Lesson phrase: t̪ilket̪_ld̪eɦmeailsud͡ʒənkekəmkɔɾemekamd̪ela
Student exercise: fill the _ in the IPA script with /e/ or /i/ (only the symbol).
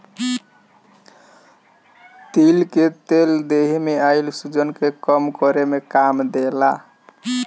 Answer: e